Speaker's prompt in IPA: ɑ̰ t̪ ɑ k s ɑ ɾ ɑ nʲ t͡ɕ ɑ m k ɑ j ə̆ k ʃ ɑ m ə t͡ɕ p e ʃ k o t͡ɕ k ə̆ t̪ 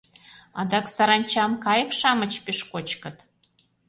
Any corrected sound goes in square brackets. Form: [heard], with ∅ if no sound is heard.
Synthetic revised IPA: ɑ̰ [d̪] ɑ k s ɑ ɾ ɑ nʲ t͡ɕ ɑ m k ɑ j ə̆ k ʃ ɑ m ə t͡ɕ p e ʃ k o t͡ɕ k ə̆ t̪